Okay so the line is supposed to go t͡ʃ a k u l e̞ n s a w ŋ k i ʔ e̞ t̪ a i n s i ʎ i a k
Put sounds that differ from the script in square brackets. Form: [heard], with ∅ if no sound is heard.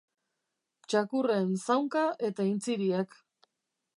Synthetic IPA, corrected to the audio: t͡ʃ a k u [r] e̞ n s a w ŋ k [a] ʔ e̞ t̪ a i n [t͡s] i [ɾ] i a k